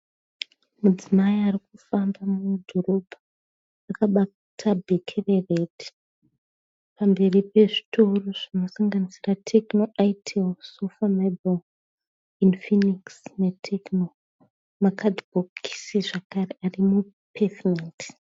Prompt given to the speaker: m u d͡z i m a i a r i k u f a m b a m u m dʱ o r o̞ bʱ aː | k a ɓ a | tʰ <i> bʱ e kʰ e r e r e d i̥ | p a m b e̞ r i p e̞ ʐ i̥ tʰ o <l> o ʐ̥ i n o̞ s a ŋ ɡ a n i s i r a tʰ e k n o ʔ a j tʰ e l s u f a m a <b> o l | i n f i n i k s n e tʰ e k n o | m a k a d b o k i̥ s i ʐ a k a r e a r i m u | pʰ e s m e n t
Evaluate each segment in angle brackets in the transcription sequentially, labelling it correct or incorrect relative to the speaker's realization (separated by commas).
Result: incorrect, incorrect, correct